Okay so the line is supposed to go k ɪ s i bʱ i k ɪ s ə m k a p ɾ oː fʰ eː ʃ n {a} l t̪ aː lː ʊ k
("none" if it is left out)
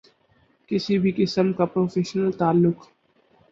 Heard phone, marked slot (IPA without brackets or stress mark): ə